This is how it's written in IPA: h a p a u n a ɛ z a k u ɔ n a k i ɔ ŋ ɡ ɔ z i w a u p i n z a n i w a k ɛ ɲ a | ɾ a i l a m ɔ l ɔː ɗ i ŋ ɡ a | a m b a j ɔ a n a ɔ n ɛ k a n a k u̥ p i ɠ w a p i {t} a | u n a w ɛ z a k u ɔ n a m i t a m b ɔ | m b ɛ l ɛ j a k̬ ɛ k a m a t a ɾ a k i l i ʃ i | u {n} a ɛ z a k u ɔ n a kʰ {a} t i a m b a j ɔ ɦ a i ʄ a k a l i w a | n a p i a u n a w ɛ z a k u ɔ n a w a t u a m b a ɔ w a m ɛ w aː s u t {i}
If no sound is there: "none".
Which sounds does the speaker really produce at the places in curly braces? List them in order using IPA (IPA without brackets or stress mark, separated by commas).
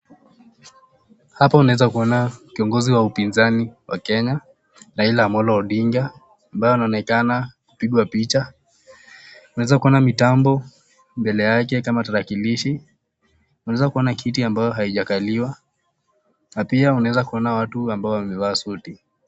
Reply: t͡ʃ, n, i, i